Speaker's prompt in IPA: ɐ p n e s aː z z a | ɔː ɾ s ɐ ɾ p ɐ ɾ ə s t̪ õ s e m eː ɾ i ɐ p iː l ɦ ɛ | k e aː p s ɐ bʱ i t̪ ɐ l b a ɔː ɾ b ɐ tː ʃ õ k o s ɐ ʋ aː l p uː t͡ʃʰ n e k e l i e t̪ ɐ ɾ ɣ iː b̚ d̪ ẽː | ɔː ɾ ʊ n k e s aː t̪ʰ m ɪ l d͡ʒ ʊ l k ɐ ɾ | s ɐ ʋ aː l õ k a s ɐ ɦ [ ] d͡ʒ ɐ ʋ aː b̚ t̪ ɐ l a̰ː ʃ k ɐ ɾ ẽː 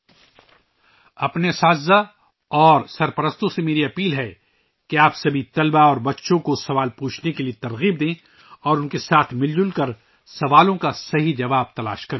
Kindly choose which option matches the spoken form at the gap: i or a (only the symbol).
i